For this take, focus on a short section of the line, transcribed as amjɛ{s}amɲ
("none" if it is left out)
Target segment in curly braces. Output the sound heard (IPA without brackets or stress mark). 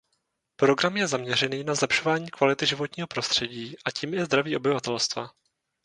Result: z